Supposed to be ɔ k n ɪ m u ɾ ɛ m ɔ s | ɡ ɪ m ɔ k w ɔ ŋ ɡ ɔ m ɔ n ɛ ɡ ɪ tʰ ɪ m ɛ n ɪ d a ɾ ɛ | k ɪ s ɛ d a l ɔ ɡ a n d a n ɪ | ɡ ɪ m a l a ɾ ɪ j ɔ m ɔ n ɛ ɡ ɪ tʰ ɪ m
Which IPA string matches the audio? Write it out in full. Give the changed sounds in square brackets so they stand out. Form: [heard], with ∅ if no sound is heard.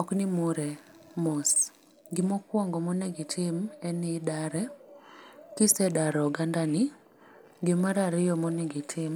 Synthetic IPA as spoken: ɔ k n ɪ m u ɾ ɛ m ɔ s | ɡ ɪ m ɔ k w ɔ ŋ ɡ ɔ m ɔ n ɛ ɡ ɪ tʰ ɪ m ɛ n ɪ d a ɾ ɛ | k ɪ s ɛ d a [ɾ] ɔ ɡ a n d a n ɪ | ɡ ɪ m a [ɾ] a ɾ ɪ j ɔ m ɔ n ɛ ɡ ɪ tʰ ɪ m